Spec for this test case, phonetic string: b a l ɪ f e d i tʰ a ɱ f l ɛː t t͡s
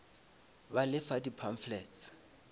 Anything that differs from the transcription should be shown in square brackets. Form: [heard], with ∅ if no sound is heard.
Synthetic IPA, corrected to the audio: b a l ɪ f [a] d i [pʰ] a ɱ f l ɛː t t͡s

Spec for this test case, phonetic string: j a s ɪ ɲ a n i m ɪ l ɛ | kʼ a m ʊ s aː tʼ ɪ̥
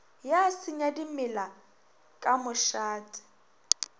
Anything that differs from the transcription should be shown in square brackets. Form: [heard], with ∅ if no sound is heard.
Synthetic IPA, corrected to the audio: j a s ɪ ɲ a [d] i m ɪ l [a] | kʼ a m ʊ [ʃ] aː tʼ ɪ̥

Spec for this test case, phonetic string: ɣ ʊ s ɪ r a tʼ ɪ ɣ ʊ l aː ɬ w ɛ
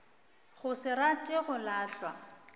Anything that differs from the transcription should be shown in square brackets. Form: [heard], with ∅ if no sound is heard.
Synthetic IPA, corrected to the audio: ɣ ʊ s ɪ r a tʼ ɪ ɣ ʊ l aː ɬ w [a]

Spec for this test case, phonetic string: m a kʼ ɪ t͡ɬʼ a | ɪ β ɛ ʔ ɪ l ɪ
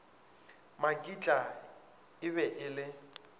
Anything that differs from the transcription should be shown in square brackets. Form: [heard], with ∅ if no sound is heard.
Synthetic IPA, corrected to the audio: m a kʼ [i] t͡ɬʼ a | ɪ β ɛ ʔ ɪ l ɪ

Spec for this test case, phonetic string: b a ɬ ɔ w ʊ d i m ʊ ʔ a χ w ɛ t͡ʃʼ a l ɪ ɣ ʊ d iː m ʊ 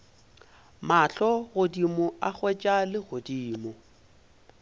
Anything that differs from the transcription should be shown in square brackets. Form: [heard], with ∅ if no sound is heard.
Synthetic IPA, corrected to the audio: [m] a ɬ ɔ [ɣ] ʊ d i m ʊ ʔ a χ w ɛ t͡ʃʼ a l ɪ ɣ ʊ d iː m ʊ

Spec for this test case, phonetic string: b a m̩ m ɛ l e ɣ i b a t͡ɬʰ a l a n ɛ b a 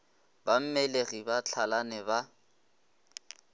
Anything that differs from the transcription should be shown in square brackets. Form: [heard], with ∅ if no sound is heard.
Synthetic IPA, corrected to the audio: b a m̩ m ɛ l e ɣ i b a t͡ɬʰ a l a n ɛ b a

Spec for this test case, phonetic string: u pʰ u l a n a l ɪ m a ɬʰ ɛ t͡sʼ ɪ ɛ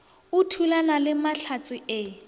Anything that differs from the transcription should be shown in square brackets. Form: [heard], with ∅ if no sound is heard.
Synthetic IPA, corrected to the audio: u [tʰ] u l a n a l ɪ m a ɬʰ [a] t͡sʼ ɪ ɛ

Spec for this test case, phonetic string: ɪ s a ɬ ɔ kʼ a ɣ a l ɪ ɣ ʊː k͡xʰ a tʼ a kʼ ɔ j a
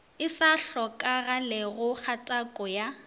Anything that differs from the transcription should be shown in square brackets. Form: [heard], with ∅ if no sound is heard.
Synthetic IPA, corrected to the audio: ɪ s a ɬ ɔ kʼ a ɣ a l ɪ ɣ [ʊ] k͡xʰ a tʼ a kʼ ɔ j a

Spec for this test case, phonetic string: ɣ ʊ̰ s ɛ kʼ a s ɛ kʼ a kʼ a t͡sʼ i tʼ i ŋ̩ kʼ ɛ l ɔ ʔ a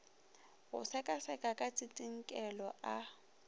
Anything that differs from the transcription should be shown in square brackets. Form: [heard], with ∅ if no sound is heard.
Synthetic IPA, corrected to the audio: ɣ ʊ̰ s ɛ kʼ a s ɛ kʼ a kʼ a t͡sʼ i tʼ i ŋ̩ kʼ ɛ l ɔ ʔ a

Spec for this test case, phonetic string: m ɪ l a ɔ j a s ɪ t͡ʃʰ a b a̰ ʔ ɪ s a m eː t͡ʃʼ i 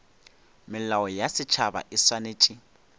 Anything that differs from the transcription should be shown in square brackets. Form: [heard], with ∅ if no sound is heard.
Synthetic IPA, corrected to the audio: m ɪ l a ɔ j a s ɪ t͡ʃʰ a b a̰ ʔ ɪ s a [n] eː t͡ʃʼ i

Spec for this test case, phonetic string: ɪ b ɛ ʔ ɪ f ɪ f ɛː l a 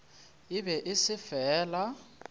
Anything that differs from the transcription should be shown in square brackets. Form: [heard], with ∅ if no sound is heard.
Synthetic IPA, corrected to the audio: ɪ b ɛ ʔ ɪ [s] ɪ f ɛː l a

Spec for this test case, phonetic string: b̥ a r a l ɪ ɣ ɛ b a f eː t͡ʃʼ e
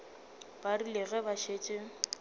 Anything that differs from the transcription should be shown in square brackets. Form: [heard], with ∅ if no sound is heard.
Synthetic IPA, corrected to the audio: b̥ a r [i] l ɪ ɣ ɛ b a [ʃ] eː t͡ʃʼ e

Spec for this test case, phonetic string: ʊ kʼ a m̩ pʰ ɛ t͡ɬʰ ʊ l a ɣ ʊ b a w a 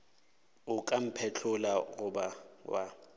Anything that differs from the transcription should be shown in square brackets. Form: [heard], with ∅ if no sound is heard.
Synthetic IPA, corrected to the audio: ʊ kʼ a m̩ pʰ ɛ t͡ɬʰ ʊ l a ɣ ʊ b a w a

